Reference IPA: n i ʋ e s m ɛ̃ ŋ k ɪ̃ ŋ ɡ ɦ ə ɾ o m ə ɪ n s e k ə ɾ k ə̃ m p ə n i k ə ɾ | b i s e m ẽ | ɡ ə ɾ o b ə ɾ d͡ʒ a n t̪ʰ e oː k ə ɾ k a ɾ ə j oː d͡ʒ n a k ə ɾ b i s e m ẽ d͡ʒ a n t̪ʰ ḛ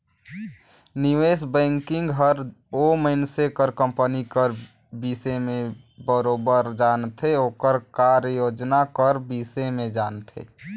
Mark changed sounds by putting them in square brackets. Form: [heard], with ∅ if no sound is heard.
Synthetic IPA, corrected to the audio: n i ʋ e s [b] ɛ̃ ŋ k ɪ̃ ŋ ɡ ɦ ə ɾ o m ə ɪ n s e k ə ɾ k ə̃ m p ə n i k ə ɾ | b i s e m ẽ | [b] ə ɾ o b ə ɾ d͡ʒ a n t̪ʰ e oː k ə ɾ k a ɾ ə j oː d͡ʒ n a k ə ɾ b i s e m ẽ d͡ʒ a n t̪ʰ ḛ